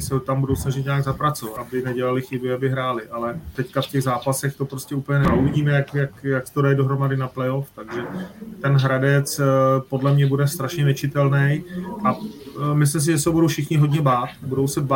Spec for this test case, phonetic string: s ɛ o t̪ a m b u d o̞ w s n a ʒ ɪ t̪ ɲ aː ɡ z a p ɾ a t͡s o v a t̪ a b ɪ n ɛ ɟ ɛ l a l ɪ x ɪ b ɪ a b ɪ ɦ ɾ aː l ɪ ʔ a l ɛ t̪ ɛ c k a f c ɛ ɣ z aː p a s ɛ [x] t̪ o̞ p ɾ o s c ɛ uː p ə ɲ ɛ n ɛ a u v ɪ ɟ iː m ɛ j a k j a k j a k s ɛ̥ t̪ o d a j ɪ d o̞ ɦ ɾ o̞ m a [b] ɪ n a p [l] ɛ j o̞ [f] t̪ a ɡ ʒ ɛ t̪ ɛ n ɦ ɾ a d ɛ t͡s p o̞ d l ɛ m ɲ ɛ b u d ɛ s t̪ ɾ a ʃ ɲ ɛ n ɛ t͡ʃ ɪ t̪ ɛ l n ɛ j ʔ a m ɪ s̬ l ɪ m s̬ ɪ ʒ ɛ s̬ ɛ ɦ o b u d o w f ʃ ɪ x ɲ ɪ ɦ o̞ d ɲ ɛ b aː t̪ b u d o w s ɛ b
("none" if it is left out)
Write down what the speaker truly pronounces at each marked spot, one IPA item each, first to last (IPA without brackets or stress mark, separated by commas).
x, d, l, f